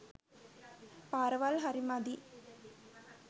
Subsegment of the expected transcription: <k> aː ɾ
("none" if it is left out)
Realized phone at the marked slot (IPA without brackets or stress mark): p